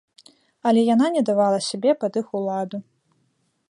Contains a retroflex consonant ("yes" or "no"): no